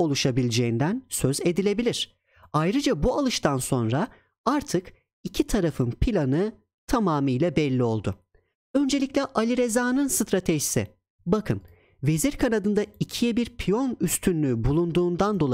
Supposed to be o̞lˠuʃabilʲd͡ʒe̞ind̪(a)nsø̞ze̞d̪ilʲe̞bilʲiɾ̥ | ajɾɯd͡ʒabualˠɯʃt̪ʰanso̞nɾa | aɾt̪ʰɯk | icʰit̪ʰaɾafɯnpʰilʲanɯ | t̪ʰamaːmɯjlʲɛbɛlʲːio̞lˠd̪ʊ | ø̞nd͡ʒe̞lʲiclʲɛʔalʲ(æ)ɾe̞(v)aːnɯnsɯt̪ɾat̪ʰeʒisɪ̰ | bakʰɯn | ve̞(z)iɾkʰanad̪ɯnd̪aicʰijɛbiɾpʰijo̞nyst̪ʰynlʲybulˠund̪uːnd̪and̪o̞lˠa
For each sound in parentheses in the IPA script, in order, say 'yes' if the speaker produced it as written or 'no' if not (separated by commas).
no, no, no, yes